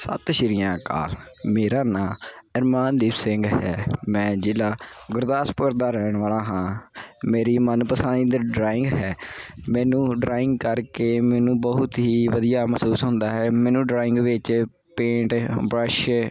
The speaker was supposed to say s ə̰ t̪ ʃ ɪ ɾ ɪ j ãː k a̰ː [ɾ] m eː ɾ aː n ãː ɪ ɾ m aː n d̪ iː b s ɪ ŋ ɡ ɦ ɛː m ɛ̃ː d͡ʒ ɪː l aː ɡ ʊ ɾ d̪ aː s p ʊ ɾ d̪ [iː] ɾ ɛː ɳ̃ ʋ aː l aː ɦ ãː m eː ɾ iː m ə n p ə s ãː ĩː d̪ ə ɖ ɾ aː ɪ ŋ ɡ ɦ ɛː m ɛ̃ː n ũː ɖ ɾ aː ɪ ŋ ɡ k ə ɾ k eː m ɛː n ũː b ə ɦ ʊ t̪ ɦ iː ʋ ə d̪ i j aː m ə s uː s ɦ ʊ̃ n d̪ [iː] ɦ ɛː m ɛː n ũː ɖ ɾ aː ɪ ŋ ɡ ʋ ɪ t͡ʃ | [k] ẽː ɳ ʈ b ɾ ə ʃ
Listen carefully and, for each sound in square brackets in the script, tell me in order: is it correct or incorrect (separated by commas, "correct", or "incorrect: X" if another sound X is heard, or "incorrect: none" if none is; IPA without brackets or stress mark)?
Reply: incorrect: l, incorrect: aː, incorrect: aː, incorrect: p